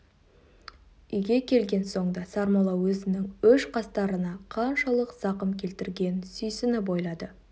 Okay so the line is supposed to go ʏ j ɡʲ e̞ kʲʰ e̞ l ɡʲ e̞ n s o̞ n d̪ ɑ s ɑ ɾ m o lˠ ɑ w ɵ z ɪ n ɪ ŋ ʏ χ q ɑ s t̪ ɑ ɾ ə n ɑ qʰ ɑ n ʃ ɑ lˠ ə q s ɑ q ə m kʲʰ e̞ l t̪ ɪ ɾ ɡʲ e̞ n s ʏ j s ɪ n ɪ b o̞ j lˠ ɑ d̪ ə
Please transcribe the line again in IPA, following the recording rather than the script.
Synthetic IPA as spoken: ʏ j ɡʲ e̞ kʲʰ e̞ l ɡʲ e̞ n s o̞ ɴ d̪ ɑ s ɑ ɾ m o lˠ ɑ w ɵ z ɪ n ɪ ŋ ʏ ʃ q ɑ s t̪ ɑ ɾ ə n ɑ qʰ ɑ n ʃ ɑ lˠ ə q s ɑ q ə m kʲʰ e̞ l t̪ ɪ ɾ ɡʲ e̞ n s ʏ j s ɪ n ɪ b o̞ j lˠ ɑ d̪ ə